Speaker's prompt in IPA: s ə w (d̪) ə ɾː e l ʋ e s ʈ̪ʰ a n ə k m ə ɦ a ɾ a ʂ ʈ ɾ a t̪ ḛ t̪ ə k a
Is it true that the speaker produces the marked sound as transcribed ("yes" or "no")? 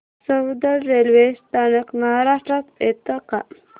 yes